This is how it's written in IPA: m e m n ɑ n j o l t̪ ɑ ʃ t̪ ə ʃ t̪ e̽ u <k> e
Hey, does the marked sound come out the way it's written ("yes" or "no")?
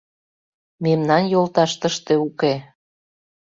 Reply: yes